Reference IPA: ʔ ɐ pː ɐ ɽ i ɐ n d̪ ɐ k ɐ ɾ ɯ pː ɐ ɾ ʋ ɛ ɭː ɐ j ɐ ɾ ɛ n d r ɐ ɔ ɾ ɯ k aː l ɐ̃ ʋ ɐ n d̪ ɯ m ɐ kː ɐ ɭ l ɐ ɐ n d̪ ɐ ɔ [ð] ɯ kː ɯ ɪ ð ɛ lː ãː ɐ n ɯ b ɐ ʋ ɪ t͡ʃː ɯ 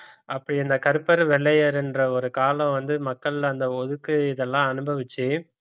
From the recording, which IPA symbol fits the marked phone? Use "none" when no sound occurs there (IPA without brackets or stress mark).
ð